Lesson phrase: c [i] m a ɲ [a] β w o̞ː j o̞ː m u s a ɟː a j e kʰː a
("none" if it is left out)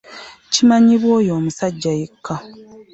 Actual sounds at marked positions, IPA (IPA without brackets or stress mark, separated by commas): i, i